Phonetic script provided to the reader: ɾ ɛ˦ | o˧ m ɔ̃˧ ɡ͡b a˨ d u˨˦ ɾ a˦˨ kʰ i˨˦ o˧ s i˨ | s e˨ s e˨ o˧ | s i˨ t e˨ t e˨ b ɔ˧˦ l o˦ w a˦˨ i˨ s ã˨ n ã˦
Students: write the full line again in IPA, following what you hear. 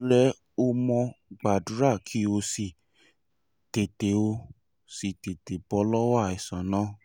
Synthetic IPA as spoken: ɾ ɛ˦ | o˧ m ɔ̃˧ ɡ͡b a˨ d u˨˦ ɾ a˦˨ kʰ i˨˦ o˧ s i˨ | t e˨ t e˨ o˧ | s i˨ t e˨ t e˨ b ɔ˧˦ l ɔ˦ w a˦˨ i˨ s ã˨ n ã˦